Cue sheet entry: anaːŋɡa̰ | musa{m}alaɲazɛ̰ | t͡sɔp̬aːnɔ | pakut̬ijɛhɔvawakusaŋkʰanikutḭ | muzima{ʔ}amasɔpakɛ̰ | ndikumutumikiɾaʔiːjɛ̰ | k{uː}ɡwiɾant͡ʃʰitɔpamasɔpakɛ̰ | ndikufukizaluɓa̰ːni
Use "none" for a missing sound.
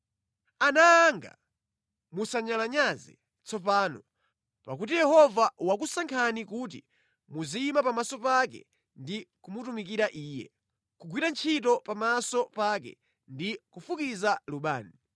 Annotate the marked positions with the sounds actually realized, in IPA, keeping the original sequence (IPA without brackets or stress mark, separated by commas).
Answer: ɲ, p, u